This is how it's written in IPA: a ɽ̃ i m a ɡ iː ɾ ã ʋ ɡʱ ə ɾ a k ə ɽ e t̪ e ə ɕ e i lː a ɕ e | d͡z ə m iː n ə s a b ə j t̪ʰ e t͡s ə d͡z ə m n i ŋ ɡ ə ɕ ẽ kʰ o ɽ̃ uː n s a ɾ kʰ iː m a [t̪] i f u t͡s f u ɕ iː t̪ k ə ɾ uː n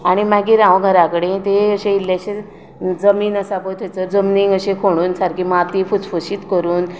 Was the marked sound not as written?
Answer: no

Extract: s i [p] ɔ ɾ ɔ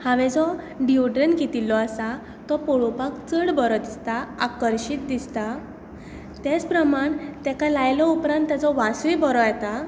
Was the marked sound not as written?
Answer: yes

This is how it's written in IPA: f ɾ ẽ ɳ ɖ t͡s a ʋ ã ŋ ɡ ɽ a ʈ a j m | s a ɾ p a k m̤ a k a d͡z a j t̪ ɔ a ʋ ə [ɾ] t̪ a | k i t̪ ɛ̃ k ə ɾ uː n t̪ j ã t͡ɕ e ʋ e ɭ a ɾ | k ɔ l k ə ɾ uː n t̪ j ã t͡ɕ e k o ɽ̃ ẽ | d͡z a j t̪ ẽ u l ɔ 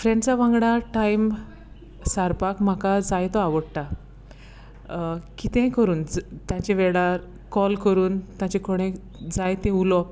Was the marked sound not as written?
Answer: yes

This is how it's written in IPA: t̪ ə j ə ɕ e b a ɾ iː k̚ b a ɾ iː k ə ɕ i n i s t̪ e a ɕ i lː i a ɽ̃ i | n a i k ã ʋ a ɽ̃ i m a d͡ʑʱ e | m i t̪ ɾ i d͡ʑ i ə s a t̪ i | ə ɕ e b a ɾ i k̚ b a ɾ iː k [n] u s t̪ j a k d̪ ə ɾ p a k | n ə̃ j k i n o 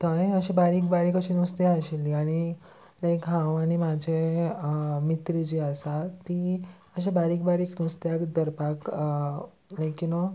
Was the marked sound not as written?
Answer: no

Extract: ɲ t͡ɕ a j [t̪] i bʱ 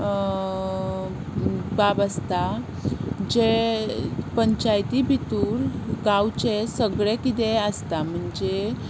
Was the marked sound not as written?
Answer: no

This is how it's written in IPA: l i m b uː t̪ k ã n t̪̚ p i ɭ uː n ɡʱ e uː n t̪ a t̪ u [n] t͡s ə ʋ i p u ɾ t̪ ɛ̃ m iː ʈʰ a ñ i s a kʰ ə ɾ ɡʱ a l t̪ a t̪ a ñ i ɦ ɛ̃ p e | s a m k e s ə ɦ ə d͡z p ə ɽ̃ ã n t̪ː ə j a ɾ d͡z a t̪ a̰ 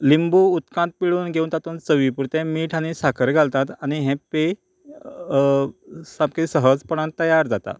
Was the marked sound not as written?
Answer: no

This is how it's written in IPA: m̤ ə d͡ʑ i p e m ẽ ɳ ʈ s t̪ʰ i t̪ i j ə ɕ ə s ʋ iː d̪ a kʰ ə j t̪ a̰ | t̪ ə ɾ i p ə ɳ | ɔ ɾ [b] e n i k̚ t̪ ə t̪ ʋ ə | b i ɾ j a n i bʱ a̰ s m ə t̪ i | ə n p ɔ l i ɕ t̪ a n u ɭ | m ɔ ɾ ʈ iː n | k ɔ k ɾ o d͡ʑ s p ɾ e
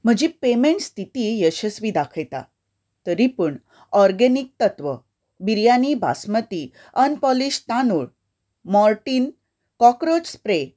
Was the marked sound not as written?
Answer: yes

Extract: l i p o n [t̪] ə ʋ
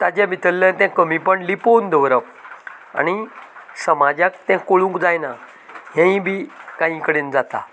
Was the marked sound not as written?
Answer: yes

